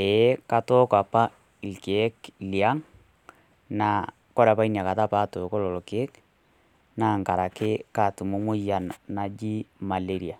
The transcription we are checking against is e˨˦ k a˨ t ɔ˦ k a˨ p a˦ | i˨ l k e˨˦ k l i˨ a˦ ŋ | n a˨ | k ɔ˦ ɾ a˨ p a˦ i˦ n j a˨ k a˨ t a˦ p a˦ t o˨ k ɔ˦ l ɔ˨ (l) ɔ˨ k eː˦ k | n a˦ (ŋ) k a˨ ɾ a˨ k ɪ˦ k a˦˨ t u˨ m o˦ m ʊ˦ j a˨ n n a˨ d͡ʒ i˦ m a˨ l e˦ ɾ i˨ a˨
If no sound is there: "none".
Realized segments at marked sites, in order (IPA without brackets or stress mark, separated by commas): l, ŋ